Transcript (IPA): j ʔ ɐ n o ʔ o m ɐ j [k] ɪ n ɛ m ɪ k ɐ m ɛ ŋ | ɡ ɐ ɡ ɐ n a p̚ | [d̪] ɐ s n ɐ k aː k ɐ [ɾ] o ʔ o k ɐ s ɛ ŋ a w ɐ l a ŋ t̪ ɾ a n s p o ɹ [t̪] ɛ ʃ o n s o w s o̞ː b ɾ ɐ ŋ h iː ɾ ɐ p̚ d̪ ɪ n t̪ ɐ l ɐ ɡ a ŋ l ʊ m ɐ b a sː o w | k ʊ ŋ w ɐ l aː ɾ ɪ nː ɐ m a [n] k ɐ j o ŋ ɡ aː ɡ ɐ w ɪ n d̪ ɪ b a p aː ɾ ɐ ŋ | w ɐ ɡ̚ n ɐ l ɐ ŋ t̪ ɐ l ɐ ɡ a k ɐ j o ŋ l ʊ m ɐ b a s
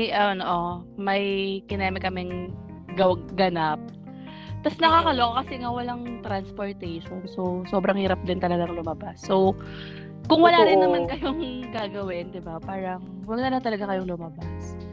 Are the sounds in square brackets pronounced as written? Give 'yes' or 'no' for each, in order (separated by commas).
yes, no, no, yes, yes